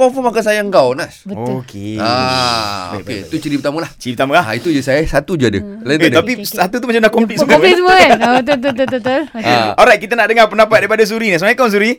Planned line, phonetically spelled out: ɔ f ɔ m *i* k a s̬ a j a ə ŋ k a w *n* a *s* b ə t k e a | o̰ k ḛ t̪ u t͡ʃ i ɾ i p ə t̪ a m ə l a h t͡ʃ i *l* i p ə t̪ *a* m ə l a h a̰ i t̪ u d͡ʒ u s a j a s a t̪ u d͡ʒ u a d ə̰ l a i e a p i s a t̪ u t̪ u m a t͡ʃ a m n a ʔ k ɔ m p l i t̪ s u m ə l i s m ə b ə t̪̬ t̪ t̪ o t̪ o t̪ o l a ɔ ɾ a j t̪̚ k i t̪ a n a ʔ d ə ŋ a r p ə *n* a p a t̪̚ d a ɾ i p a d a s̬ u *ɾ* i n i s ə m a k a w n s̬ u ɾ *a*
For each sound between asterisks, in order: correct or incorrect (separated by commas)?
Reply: incorrect, correct, correct, incorrect, correct, correct, correct, incorrect